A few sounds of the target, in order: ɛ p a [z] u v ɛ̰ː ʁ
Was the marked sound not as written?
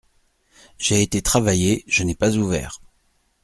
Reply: no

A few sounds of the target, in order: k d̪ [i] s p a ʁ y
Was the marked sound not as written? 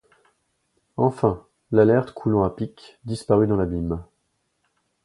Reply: no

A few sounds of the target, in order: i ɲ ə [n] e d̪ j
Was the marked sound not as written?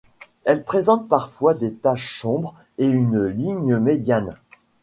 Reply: yes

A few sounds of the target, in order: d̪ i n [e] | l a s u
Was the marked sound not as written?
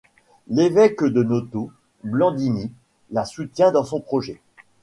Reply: yes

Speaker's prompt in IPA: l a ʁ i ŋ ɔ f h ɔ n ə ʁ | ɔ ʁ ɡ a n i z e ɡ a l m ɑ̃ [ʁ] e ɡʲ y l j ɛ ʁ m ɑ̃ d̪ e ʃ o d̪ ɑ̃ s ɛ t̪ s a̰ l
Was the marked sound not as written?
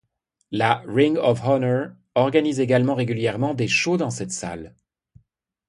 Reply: no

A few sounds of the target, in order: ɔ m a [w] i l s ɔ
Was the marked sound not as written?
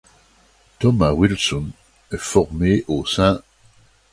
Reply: no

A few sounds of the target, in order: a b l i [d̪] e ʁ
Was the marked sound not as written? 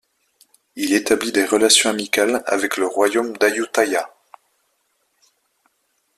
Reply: no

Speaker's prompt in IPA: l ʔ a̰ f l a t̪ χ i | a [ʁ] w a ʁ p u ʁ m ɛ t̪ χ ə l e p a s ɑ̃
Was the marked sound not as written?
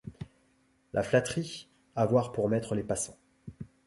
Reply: yes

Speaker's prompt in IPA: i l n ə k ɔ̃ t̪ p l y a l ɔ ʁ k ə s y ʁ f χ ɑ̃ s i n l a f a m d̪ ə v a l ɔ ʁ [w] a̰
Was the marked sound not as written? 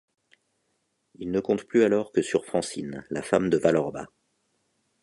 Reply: yes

